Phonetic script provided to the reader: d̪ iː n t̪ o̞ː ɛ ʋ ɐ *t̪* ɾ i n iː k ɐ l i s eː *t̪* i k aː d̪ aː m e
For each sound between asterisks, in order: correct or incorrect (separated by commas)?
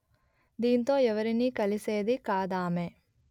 incorrect, incorrect